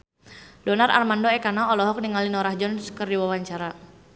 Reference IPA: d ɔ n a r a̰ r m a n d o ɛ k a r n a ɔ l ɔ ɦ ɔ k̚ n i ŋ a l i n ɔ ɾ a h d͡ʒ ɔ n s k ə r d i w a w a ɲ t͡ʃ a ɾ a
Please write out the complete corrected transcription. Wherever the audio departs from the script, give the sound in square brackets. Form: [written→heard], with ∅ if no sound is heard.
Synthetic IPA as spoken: d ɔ n a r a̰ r m a n d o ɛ k a [r→∅] n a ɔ l ɔ ɦ ɔ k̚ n i ŋ a l i n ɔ ɾ a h d͡ʒ ɔ n s k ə r d i w a w a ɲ t͡ʃ a ɾ a